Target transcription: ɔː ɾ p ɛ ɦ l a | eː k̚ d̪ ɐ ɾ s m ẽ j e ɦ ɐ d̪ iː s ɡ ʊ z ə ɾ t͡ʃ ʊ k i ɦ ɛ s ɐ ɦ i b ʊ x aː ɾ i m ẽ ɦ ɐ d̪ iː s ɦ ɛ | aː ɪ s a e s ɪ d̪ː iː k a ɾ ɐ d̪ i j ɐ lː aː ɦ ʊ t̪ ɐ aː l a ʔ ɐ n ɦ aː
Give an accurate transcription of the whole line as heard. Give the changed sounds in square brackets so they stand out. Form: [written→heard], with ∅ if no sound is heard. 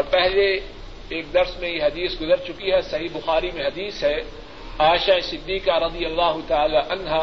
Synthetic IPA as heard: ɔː ɾ p ɛ ɦ l [a→e] | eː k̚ d̪ ɐ ɾ s m ẽ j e ɦ ɐ d̪ iː s ɡ ʊ z ə ɾ t͡ʃ ʊ k i ɦ ɛ s ɐ ɦ i b ʊ x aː ɾ i m ẽ ɦ ɐ d̪ iː s ɦ ɛ | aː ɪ [s→ʃ] a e s ɪ d̪ː iː k a ɾ ɐ d̪ i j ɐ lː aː ɦ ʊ t̪ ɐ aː l a ʔ ɐ n ɦ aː